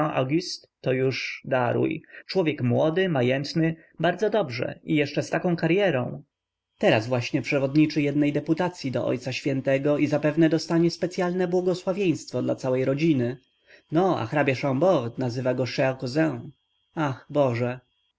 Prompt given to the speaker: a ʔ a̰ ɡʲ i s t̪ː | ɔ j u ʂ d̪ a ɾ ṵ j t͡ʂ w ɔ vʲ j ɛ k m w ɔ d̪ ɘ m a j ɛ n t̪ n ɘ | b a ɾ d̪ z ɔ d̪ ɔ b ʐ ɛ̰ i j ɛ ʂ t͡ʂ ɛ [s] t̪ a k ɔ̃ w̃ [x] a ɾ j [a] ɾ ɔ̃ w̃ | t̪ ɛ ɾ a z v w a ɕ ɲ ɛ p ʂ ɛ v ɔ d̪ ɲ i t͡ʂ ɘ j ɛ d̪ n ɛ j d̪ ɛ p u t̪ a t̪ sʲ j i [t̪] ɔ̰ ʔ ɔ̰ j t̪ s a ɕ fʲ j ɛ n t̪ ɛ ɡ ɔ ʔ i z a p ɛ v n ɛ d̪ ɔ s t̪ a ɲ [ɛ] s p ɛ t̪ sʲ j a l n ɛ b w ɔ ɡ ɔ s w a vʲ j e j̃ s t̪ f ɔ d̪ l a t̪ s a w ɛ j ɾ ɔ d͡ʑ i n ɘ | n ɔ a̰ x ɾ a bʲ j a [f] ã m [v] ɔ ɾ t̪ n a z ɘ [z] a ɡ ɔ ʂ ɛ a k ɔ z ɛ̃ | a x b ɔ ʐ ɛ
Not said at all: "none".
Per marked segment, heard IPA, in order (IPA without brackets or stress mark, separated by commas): s, k, ɛ, d̪, ɛ, ʂ, b, v